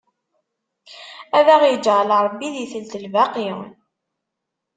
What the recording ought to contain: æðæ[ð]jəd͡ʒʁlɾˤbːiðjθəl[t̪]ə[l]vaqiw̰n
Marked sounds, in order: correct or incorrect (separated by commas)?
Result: incorrect, correct, correct